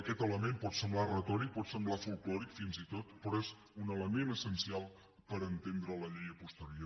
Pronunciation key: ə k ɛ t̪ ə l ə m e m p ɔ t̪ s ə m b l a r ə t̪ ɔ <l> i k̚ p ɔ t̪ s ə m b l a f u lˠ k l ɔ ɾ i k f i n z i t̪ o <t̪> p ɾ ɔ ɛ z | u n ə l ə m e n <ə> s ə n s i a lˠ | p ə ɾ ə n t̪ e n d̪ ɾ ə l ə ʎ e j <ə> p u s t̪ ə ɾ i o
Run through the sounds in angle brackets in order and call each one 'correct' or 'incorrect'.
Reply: incorrect: ɾ, correct, correct, correct

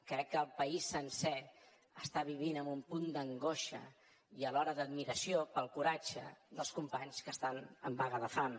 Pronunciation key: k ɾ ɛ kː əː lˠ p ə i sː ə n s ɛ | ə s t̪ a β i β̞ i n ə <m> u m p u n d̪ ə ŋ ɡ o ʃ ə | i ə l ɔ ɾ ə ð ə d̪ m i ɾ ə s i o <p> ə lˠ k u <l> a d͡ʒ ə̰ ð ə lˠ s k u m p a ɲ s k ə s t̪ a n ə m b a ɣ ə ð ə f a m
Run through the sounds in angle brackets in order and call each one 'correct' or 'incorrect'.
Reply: correct, correct, incorrect: ɾ

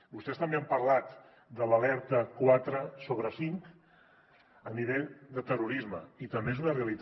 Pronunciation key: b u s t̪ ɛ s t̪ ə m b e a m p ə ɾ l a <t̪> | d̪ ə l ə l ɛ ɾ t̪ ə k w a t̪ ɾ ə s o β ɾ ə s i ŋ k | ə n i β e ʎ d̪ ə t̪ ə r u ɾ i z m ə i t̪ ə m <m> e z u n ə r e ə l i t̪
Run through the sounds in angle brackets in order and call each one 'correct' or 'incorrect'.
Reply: correct, incorrect: b

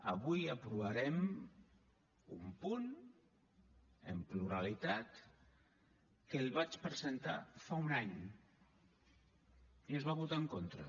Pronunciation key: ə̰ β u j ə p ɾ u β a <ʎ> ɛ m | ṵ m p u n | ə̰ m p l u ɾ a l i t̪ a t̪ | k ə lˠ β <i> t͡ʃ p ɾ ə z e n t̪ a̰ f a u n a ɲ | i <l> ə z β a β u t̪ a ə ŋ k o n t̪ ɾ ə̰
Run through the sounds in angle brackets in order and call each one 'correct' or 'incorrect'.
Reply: incorrect: ɾ, incorrect: a, incorrect: none

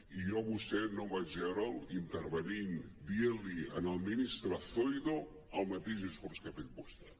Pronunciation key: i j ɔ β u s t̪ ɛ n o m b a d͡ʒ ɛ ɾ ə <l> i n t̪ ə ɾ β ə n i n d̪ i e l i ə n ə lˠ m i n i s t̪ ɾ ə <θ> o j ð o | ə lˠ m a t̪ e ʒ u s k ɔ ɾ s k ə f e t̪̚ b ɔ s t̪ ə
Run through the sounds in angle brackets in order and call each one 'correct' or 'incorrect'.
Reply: correct, correct

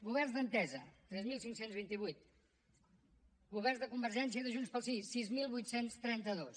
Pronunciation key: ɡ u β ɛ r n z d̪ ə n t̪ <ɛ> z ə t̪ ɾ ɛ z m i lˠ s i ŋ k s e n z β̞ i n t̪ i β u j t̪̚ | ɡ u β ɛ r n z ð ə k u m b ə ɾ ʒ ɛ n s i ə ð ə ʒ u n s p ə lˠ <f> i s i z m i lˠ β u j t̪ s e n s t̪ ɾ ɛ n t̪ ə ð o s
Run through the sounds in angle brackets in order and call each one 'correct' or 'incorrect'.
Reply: correct, incorrect: s

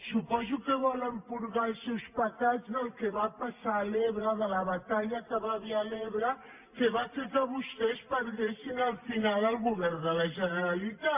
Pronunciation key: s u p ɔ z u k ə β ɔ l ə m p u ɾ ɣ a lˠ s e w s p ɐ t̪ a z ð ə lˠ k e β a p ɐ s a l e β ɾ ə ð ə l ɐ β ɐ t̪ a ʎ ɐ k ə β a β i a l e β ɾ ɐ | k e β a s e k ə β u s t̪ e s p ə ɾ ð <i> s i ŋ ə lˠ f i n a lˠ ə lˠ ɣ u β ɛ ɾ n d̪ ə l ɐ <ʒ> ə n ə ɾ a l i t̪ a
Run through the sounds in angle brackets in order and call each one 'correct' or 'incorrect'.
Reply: incorrect: e, correct

